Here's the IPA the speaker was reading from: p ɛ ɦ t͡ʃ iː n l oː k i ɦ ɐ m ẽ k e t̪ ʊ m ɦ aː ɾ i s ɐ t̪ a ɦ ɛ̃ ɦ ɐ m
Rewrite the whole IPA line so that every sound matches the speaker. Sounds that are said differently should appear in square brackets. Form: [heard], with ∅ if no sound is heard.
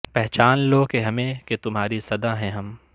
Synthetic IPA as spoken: p ɛ ɦ t͡ʃ [aː] n l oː k [e] ɦ ɐ m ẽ k e t̪ ʊ m ɦ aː ɾ i s ɐ [d̪] a ɦ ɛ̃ ɦ ɐ m